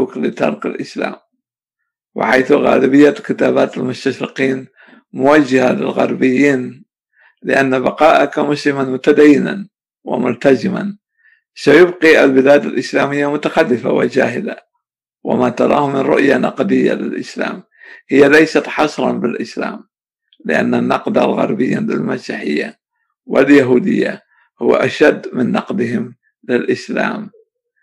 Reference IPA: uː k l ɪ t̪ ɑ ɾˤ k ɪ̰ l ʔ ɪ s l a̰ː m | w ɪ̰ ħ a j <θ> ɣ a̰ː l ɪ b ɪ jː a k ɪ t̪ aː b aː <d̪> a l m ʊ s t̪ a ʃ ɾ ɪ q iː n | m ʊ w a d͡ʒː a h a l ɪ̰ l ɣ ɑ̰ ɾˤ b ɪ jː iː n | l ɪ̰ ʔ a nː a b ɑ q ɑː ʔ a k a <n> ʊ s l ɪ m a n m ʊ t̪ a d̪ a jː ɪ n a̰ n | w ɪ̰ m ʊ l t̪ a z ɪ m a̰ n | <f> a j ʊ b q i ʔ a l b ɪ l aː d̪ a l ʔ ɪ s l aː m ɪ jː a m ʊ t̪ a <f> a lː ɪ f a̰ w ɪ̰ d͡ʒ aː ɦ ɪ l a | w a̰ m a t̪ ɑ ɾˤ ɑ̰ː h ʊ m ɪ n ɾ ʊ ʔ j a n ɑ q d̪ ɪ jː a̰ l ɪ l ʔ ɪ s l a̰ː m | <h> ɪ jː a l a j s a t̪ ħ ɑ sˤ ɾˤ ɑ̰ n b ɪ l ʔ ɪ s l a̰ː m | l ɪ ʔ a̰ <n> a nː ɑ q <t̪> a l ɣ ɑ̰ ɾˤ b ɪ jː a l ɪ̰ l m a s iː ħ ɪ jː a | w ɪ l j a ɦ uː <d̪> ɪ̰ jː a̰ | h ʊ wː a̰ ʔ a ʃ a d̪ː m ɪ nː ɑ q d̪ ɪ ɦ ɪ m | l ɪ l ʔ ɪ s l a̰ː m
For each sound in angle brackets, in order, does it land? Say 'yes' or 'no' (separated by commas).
yes, no, no, no, no, yes, no, no, yes